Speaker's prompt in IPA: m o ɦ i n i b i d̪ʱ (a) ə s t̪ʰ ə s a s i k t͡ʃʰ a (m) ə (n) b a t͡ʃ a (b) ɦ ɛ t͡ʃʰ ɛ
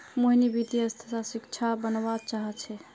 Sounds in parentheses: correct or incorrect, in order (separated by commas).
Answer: incorrect, incorrect, correct, incorrect